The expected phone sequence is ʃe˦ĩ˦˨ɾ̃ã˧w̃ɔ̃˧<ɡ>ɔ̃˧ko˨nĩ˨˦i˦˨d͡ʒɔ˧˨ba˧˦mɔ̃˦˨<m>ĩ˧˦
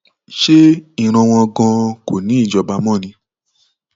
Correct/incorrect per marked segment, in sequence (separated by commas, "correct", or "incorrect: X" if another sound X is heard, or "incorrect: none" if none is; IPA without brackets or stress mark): correct, incorrect: n